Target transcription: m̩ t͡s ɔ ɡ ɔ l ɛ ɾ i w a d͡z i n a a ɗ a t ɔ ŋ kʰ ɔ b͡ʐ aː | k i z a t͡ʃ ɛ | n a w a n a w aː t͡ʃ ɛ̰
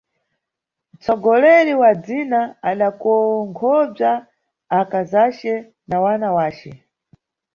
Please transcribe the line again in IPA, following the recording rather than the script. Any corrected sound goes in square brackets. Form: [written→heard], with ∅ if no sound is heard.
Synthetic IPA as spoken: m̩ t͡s ɔ ɡ ɔ l ɛ ɾ i w a d͡z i n a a ɗ a [t→k] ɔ ŋ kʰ ɔ b͡ʐ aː | k [i→a] z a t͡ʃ ɛ | n a w a n a w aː t͡ʃ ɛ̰